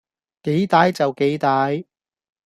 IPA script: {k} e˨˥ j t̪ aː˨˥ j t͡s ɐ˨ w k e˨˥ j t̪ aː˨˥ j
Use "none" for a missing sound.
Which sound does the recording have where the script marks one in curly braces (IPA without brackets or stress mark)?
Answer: k